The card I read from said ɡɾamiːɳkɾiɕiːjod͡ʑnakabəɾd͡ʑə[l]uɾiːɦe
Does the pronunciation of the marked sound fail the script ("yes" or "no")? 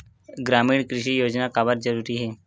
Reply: yes